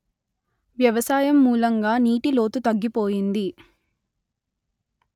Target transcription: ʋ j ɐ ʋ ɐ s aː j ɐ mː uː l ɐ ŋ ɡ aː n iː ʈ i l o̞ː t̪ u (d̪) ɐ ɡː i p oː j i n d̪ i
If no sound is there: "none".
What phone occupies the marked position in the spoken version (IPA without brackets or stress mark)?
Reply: t̪